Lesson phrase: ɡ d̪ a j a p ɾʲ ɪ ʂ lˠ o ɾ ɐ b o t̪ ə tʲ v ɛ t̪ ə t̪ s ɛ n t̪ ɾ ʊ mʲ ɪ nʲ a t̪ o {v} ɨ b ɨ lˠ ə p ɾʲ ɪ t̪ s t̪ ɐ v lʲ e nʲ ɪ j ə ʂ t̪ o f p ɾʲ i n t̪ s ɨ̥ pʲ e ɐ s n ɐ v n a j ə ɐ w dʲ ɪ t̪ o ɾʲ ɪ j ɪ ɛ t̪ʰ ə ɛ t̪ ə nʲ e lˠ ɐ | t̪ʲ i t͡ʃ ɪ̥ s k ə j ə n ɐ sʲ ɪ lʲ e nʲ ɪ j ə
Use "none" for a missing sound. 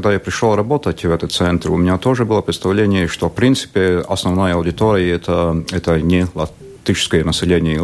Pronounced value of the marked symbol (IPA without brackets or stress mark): ʐ